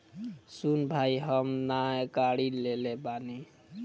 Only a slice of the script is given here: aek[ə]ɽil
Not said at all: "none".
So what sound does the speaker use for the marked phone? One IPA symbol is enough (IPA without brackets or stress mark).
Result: a